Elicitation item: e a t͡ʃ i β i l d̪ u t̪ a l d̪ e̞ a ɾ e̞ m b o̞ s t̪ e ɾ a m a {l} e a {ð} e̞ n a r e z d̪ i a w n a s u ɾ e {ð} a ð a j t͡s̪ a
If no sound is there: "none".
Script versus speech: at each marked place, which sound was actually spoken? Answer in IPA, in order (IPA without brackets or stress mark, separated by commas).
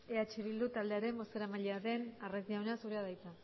ʎ, ð, none